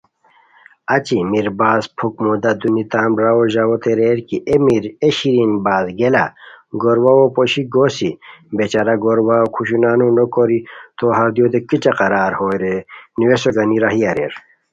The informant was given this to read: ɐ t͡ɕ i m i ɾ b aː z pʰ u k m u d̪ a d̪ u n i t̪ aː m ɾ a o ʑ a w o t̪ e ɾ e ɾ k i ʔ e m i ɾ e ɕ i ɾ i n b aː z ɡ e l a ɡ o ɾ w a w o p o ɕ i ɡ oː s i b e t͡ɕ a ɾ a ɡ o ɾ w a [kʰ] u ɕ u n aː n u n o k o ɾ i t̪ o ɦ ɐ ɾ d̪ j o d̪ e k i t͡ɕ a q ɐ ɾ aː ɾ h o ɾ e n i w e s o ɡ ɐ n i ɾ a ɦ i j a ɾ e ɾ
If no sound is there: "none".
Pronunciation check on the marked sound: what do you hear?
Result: kʰ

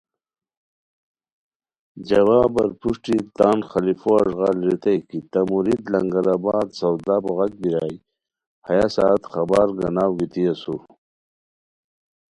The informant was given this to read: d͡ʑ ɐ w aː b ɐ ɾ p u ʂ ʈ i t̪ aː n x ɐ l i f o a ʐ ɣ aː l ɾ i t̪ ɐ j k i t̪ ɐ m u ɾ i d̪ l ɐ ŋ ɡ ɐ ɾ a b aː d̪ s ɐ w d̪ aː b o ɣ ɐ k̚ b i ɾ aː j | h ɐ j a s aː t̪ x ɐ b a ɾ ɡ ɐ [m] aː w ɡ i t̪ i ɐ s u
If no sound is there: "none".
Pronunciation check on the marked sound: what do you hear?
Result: n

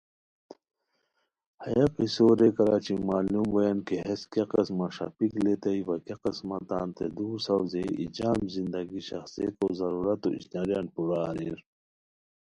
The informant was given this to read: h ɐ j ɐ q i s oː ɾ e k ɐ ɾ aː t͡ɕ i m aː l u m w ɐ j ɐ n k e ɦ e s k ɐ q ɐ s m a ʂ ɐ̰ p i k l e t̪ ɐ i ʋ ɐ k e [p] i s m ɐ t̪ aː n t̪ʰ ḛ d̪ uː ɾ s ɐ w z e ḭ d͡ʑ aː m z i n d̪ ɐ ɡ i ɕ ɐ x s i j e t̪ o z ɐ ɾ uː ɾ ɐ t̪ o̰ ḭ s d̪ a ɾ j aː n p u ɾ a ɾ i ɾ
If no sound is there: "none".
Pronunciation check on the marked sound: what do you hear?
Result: q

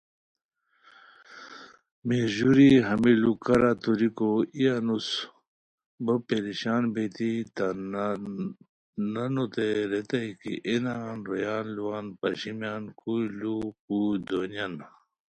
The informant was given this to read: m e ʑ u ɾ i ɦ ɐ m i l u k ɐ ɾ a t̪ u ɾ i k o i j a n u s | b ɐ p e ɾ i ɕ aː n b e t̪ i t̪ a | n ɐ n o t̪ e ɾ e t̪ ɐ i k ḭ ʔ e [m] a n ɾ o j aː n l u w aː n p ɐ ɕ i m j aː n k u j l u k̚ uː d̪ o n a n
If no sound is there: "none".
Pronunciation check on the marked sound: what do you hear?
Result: n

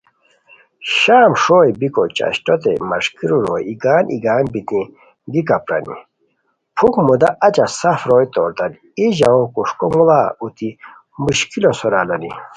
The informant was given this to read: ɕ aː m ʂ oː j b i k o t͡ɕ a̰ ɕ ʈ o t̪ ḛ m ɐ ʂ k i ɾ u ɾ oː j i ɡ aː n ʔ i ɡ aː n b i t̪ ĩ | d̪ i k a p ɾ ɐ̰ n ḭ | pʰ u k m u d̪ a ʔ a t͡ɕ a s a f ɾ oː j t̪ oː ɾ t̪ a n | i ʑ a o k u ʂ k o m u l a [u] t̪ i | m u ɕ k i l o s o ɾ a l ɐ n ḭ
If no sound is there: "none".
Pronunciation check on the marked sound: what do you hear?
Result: u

